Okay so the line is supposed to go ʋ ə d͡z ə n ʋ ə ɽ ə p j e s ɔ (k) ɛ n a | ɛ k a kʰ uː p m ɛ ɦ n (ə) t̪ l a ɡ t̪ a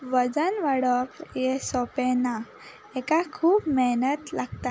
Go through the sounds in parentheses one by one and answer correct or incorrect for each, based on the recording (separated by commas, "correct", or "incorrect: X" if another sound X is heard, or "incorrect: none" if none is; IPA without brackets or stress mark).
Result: incorrect: p, correct